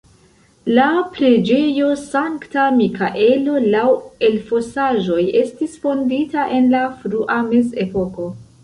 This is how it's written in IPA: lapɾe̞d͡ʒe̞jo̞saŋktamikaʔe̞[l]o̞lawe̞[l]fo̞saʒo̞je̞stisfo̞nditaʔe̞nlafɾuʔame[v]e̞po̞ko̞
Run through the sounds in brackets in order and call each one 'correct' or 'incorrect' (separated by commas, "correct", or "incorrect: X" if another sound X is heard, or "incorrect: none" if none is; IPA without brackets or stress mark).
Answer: correct, correct, incorrect: z